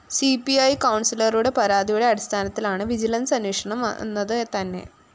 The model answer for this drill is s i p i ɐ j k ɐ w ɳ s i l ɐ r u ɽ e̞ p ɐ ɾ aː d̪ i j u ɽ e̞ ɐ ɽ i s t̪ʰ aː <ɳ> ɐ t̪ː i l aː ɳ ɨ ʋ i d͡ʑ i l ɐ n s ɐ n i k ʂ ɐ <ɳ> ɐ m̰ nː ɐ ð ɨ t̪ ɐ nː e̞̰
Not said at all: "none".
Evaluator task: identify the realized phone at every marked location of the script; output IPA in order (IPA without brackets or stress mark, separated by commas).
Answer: n, ɳ